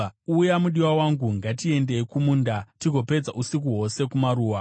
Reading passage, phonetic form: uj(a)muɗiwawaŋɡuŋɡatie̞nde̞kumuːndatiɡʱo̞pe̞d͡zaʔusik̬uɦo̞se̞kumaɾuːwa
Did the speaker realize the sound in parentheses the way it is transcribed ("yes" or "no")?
yes